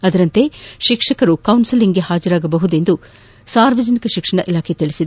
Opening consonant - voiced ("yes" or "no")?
yes